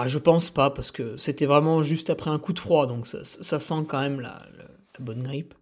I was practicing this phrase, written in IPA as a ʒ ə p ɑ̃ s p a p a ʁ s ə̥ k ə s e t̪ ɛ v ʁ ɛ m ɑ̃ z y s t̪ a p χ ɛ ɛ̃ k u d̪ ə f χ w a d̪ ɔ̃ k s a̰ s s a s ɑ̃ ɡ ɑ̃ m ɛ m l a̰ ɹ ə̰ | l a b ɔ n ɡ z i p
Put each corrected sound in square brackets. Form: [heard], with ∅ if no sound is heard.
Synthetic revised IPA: a ʒ ə p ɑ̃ s p a p a ʁ s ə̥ k ə s e t̪ ɛ v ʁ ɛ m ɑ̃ [ʒ] y s t̪ a p χ ɛ ɛ̃ k u d̪ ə f χ w a d̪ ɔ̃ k s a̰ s s a s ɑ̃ [k] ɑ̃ m ɛ m l a̰ [l] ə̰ | l a b ɔ n ɡ [ʁ] i p